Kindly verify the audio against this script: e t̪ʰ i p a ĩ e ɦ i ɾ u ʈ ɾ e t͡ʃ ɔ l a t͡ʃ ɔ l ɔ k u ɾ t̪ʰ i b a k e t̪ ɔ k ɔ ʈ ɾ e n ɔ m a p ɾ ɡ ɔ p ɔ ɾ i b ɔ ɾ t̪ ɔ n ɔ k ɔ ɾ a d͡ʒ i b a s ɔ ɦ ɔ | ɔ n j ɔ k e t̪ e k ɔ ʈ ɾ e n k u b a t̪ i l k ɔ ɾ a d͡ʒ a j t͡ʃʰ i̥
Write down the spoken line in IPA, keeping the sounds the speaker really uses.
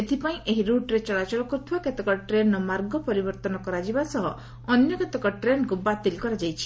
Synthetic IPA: e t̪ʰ i p a ĩ e ɦ i ɾ u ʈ ɾ e t͡ʃ ɔ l a t͡ʃ ɔ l ɔ k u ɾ t̪ʰ i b a k e t̪ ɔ k ɔ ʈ ɾ e n ɔ m a ɾ ɡ ɔ p ɔ ɾ i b ɔ ɾ t̪ ɔ n ɔ k ɔ ɾ a d͡ʒ i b a s ɔ ɦ ɔ | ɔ n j ɔ k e t̪ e k ɔ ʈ ɾ e n k u b a t̪ i l k ɔ ɾ a d͡ʒ a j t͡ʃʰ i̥